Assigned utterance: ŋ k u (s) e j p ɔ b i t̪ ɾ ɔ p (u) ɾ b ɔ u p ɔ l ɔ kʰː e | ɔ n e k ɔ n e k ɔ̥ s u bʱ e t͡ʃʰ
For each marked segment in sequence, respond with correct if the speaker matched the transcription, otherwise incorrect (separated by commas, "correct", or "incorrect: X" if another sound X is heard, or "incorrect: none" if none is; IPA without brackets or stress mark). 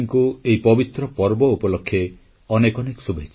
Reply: incorrect: none, incorrect: ɔ